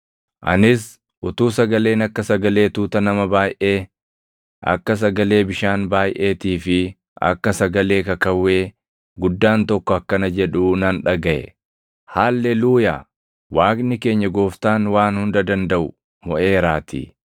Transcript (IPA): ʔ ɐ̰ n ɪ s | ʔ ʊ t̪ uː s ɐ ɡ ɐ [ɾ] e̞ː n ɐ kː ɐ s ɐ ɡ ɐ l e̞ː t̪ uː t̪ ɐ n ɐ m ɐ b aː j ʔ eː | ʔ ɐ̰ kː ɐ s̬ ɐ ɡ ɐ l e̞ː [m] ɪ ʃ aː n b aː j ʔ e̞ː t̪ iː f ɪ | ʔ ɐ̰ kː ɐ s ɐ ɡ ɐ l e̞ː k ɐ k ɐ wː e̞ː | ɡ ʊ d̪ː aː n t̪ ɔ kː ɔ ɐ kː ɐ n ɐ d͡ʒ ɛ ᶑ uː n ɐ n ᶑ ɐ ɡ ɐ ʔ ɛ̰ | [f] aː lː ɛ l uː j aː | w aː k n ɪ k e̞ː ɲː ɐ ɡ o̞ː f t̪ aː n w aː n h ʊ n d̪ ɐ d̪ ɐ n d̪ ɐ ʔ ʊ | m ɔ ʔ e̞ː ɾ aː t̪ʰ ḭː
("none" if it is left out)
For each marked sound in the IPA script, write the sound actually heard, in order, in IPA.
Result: l, b, h

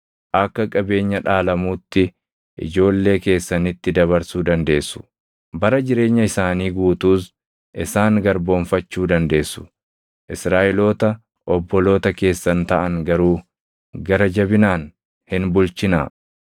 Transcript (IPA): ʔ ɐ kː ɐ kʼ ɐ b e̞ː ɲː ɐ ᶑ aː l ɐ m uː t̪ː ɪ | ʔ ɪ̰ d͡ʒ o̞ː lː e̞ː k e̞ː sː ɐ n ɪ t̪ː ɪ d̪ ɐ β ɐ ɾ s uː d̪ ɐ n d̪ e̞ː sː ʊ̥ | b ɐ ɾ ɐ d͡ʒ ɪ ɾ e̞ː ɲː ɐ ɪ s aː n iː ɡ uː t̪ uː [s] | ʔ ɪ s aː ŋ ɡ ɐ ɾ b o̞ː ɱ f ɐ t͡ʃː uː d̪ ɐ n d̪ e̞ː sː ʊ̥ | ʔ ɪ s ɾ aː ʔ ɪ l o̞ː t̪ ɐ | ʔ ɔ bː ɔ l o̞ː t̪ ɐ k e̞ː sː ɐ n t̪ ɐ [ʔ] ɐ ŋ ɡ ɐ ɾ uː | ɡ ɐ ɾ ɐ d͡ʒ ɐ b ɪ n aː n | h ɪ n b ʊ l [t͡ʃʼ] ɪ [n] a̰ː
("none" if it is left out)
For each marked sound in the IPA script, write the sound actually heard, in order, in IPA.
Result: s, ʔ, t͡ʃ, n

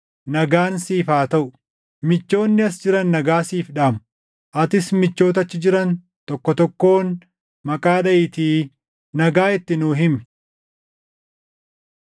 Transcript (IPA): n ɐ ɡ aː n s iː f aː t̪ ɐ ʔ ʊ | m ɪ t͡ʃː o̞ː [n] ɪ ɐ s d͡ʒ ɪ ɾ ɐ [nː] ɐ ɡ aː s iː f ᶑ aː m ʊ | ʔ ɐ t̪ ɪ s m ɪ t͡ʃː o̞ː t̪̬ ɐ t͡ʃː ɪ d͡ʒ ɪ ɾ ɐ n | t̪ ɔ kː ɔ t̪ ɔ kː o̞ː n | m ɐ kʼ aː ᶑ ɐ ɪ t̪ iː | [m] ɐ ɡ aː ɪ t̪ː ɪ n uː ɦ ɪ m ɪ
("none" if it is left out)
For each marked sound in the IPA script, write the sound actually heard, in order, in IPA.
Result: nː, nː, n

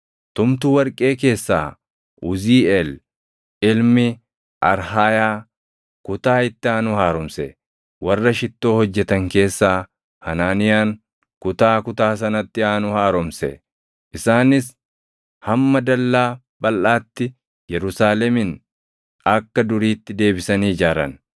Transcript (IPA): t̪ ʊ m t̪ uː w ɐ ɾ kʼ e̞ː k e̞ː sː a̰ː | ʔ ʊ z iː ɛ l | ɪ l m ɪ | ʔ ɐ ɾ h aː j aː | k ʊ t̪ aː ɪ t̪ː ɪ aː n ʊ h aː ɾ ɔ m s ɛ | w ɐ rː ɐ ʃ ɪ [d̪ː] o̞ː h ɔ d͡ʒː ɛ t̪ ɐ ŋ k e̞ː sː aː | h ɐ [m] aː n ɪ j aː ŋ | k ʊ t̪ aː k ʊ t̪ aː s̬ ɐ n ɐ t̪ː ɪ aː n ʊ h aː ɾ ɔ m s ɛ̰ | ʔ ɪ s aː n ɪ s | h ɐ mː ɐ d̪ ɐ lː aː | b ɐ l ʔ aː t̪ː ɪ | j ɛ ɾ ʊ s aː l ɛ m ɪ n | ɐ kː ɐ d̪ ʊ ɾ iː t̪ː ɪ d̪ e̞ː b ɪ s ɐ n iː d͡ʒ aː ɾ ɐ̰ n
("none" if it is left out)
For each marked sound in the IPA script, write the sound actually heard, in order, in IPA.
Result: t̪ː, n

